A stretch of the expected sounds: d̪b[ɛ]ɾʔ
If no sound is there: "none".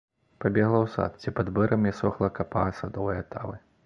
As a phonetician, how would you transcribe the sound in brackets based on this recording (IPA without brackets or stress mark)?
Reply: ɛ